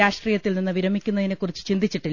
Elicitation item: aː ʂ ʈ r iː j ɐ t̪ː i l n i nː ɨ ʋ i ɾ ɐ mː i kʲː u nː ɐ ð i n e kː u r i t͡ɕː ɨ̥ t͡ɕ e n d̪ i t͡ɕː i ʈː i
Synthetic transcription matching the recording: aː ʂ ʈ r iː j ɐ t̪ː i l n i nː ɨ ʋ i ɾ ɐ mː i kʲː u nː ɐ ð i n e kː u r i t͡ɕː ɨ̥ t͡ɕ i n d̪ i t͡ɕː i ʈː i